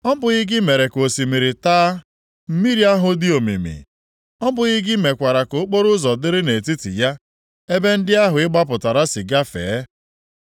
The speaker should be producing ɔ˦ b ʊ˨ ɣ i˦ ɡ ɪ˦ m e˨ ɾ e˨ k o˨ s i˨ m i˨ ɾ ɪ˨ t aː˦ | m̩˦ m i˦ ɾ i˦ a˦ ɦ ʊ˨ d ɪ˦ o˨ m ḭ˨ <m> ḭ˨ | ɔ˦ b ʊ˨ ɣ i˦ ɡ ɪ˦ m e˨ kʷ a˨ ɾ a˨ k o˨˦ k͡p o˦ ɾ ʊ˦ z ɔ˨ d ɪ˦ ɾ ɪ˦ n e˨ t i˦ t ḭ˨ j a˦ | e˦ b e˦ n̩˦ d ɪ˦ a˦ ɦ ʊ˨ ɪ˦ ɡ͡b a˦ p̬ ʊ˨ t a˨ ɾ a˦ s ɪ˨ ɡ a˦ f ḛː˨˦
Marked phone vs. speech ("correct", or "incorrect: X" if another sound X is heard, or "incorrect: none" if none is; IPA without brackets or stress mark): correct